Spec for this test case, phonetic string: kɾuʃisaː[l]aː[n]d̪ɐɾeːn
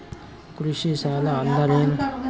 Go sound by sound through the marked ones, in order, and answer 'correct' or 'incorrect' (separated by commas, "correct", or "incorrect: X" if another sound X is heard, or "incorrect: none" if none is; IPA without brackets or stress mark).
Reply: correct, correct